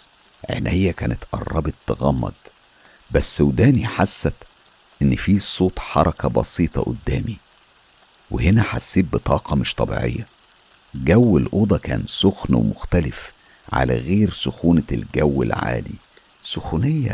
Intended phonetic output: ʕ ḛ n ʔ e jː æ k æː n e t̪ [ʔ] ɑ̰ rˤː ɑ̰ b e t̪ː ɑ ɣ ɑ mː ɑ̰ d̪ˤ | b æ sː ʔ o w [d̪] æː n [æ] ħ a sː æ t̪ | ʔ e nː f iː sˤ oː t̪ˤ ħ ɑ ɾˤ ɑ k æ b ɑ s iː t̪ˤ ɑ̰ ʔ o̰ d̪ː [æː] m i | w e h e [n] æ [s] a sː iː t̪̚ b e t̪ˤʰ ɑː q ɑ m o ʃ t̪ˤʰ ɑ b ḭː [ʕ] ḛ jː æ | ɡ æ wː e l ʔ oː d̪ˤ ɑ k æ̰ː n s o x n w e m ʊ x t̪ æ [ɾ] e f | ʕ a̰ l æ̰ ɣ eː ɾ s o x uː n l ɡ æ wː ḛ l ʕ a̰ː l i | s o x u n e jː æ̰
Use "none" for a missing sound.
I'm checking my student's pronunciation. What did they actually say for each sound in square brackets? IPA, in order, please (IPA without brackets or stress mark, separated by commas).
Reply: ʔ, d̪, i, æː, n, ħ, ʕ, l